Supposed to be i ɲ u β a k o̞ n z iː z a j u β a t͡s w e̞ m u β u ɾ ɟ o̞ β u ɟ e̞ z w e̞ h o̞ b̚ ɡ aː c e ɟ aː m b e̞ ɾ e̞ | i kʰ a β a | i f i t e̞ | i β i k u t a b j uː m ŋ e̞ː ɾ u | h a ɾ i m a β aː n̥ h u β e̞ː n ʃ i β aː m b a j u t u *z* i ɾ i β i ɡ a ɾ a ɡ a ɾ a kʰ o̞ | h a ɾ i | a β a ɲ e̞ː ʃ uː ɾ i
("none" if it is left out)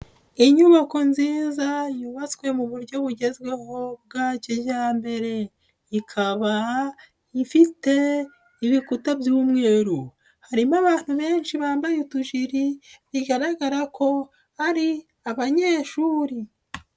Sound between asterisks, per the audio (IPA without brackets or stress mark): ʒ